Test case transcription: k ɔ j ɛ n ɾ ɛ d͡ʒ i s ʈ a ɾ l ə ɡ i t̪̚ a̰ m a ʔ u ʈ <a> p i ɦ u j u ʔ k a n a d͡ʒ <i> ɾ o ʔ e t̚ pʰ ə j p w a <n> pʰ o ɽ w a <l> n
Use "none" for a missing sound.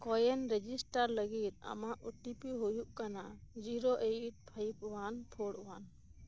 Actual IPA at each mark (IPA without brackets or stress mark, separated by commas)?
i, i, n, none